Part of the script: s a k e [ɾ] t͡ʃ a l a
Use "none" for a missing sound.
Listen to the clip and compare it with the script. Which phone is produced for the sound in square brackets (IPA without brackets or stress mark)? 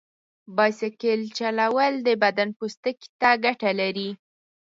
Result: l